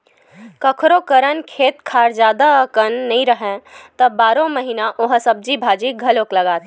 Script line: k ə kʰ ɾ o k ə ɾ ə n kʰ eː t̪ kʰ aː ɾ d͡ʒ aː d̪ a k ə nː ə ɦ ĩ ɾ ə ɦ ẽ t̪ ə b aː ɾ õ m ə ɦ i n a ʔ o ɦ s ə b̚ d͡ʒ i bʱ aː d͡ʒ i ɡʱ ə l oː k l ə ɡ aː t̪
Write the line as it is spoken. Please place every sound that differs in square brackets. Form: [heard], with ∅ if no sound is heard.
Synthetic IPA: k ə kʰ ɾ o k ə ɾ ə n kʰ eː t̪ kʰ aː ɾ d͡ʒ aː d̪ a k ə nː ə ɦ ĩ ɾ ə ɦ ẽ t̪ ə b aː ɾ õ m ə ɦ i n a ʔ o ɦ s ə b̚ d͡ʒ i bʱ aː d͡ʒ i ɡʱ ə l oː k l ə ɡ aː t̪